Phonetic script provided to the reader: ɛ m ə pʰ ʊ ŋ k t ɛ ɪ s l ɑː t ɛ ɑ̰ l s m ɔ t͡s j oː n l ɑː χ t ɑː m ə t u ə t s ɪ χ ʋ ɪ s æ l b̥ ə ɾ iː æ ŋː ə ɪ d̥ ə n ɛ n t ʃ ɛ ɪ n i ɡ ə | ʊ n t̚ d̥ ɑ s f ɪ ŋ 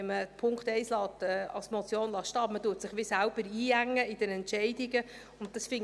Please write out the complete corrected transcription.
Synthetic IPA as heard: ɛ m ə pʰ ʊ ŋ k t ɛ ɪ s l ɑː t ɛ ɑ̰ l s m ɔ t͡s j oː n l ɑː ʃ t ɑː m ə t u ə t s ɪ χ ʋ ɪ s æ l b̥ ə ɾ iː æ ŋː ə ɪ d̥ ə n ɛ n t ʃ ɛ ɪ d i ɡ ə | ʊ n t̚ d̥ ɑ s f ɪ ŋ